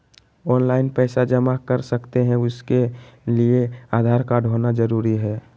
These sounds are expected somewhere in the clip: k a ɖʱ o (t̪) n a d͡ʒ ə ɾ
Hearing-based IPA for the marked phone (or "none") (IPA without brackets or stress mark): none